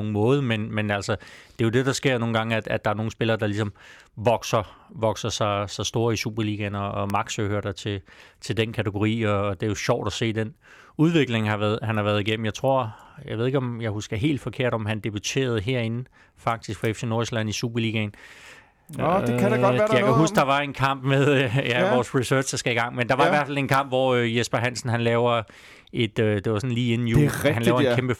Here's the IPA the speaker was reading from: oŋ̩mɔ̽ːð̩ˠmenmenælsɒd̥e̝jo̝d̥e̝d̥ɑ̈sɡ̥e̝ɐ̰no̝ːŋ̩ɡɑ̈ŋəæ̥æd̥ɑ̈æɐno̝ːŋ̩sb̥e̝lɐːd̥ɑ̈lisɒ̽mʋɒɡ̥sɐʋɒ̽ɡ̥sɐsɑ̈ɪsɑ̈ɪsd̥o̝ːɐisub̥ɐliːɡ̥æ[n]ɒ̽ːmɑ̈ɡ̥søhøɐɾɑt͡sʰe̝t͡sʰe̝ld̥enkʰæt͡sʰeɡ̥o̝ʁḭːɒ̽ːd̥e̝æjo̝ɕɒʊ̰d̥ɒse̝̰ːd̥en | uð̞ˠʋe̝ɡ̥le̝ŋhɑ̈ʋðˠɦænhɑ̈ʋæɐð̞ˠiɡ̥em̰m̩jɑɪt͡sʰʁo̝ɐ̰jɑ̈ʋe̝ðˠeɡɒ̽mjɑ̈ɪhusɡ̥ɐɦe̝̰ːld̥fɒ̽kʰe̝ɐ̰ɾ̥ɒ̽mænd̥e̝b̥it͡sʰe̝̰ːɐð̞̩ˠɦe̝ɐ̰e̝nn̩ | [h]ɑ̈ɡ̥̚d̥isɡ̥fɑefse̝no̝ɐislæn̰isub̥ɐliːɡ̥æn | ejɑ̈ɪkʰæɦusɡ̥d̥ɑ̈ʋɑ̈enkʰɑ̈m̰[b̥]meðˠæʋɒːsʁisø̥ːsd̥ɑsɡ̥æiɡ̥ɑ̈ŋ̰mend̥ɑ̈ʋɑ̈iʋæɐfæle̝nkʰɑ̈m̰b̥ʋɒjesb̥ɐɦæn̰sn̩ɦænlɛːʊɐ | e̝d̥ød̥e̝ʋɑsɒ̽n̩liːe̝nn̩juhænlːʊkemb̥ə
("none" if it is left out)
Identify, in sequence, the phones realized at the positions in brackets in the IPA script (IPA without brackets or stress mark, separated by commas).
n, f, b̥